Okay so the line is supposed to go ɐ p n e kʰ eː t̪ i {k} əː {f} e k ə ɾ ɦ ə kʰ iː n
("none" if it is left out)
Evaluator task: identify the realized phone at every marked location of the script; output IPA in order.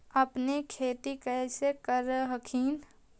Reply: k, s

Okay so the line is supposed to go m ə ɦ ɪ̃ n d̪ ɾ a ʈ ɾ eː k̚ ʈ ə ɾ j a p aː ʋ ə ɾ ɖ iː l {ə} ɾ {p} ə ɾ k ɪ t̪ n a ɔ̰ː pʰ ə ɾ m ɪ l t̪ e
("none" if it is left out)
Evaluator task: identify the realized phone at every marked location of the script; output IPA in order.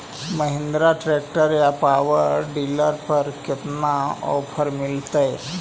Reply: ə, p

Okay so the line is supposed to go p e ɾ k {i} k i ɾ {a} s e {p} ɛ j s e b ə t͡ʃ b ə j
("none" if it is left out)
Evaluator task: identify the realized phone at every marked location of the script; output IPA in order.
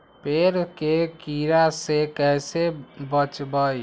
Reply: e, a, k

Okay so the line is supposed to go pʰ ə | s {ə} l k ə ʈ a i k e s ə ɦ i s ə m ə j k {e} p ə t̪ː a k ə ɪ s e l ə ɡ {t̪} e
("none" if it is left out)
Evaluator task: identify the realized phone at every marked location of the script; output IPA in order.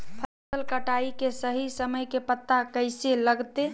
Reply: ə, e, t̪

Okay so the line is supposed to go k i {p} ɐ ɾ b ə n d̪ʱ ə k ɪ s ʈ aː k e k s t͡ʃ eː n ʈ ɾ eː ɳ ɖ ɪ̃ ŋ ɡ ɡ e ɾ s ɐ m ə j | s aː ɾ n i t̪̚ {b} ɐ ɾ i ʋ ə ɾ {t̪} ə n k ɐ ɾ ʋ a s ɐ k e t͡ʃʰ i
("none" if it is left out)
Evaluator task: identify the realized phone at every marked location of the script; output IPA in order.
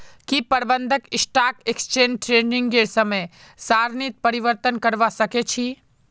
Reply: p, p, t̪

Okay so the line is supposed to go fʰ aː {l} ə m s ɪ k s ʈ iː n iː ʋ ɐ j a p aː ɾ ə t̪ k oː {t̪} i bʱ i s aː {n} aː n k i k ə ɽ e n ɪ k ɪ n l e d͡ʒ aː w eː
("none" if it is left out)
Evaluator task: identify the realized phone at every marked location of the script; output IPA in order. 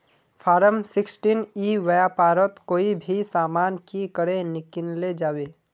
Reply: ɾ, none, m

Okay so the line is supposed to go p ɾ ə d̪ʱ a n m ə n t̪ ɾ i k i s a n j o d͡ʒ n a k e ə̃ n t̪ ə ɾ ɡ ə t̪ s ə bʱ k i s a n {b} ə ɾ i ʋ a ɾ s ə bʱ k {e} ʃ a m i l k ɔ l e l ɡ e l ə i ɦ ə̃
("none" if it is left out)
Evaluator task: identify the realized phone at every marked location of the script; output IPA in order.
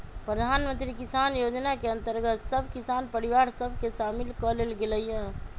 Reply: p, e

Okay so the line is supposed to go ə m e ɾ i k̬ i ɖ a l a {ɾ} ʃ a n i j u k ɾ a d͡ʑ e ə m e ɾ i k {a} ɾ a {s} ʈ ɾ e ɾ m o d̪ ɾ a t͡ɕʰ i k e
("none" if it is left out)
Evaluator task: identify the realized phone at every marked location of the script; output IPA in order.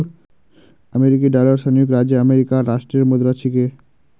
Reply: ɾ, a, ʃ

